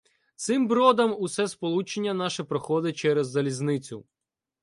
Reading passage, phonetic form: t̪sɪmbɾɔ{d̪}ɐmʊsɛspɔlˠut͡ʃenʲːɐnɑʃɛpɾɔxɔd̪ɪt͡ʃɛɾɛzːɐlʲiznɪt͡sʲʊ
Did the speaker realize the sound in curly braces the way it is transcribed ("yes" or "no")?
yes